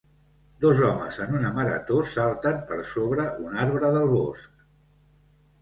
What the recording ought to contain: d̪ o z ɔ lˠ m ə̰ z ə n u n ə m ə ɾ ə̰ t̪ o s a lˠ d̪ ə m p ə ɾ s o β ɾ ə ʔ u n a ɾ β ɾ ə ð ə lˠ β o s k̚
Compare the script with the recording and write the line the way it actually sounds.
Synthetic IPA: d̪ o z ɔ m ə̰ z ə n u n ə m ə ɾ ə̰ t̪ o s a lˠ t̪ ə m p ə ɾ s o β ɾ ə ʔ u n a ɾ β ɾ ə ð ə lˠ β o s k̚

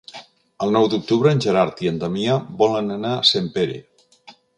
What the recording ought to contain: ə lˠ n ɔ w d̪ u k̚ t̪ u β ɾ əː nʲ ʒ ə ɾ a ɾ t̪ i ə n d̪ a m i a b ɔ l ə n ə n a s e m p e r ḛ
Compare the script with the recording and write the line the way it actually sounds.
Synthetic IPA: ə lˠ n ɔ w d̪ u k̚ t̪ u β ɾ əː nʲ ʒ ə ɾ a ɾ t̪ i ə n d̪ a m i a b ɔ l ə n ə n a s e m p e ɾ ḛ

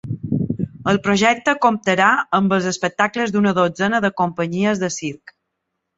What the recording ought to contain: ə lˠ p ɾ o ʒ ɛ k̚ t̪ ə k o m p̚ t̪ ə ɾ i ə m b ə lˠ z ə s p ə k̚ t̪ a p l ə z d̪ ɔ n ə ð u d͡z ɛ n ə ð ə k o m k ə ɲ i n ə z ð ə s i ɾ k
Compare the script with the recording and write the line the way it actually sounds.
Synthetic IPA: ə lˠ p ɾ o ʒ ɛ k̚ t̪ ə k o m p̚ t̪ ə ɾ a ə m b ə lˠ z ə s p ə k̚ t̪ a k l ə z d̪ u n ə ð o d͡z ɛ n ə ð ə k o m p ə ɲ i ə z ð ə s i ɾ k

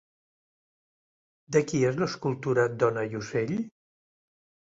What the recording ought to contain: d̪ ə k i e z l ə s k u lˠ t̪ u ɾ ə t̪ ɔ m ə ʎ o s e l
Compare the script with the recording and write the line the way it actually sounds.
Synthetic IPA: d̪ ə k i e z l ə s k u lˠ t̪ u ɾ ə d̪ ɔ n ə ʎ u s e ʎ

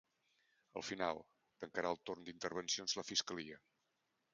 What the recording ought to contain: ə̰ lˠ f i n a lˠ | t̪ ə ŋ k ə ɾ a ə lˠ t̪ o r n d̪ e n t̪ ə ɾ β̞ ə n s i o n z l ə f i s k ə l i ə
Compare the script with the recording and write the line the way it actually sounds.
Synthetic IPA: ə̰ lˠ f i n a lˠ | t̪ ə ŋ k ə ɾ a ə lˠ t̪ o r n d̪ i n t̪ ə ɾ β̞ ə n s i o n z l ə f i s k ə l i ə

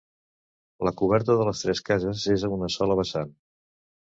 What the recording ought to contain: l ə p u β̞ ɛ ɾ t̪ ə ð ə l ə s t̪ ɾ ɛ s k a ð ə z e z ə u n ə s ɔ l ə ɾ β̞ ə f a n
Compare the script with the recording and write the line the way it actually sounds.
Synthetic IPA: l ə k u β̞ ɛ ɾ t̪ ə ð ə l ə s t̪ ɾ ɛ s k a z ə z e z ə u n ə s ɔ l ə β̞ ə s a n

